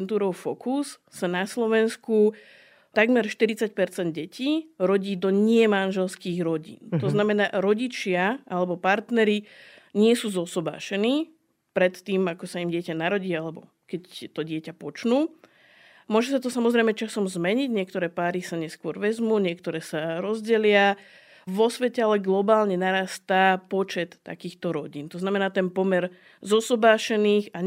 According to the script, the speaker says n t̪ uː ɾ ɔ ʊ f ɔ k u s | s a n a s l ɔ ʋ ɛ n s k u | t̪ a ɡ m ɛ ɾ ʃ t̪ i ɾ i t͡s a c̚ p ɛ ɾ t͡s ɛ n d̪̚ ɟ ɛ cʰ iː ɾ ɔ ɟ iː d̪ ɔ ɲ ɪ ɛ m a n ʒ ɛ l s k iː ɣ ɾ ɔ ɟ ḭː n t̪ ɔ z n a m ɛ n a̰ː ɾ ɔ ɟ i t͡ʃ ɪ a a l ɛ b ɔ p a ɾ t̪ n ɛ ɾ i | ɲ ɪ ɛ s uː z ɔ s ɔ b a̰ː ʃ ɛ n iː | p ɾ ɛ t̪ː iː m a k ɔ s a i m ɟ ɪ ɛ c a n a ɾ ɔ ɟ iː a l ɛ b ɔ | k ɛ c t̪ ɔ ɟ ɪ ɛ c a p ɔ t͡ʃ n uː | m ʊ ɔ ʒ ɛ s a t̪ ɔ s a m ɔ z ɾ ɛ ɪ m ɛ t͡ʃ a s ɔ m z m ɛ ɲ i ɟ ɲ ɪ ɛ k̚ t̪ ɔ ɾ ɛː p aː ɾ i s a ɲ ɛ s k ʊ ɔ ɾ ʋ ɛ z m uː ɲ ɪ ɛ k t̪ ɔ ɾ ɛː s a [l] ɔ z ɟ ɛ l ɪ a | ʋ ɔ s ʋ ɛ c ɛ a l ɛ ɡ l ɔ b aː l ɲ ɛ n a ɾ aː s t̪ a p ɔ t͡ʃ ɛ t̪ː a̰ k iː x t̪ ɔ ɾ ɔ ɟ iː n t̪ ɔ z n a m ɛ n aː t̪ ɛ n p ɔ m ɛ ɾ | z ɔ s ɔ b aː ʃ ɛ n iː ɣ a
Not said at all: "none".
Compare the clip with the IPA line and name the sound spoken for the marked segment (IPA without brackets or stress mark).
ɾ